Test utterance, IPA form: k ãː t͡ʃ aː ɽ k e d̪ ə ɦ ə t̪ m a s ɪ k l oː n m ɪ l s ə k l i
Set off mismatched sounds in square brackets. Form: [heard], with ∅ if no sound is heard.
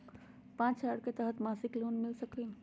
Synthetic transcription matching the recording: [p] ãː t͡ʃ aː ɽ k e [t̪] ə ɦ ə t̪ m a s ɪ k l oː n m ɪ l s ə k l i